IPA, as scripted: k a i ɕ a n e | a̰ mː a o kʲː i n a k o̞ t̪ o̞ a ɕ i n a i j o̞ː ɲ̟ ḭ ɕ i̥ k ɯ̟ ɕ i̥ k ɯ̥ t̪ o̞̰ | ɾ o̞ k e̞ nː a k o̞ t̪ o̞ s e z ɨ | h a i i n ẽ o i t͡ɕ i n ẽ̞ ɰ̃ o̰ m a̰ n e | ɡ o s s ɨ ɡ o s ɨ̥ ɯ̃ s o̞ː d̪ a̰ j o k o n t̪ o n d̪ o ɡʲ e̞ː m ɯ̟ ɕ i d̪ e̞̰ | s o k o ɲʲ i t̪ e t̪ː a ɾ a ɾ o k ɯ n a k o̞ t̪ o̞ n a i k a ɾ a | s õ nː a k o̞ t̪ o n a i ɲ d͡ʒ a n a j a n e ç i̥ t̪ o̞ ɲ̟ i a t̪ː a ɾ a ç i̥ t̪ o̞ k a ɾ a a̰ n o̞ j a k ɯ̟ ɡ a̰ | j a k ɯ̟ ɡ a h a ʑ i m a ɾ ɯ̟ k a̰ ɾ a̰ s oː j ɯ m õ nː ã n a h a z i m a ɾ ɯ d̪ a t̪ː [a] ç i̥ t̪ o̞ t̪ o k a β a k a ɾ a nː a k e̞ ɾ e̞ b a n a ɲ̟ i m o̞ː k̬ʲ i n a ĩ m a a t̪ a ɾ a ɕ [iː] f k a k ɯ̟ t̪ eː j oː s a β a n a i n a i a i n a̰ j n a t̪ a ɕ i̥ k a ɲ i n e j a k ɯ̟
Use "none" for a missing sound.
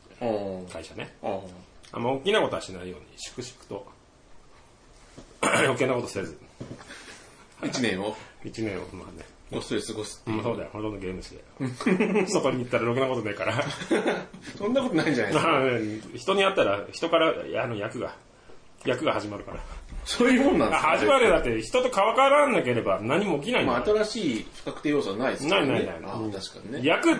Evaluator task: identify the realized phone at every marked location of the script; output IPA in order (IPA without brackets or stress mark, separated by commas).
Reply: e, iː